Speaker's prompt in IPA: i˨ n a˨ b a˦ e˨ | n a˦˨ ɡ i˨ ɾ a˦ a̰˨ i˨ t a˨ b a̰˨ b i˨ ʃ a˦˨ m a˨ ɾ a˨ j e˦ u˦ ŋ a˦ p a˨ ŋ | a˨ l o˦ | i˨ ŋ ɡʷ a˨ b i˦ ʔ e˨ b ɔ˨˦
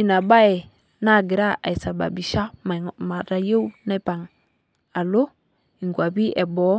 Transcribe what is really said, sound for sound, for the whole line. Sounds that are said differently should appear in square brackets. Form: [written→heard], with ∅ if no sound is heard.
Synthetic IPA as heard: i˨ n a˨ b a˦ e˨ | n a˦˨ ɡ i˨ ɾ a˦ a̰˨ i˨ [t→s] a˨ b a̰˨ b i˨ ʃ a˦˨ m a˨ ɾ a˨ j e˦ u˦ [ŋ→n] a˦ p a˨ ŋ | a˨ l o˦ | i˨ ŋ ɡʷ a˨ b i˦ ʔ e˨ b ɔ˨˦